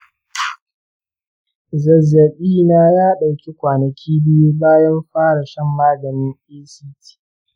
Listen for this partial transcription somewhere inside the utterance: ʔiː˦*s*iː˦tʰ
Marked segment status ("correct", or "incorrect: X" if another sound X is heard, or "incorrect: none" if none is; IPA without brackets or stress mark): correct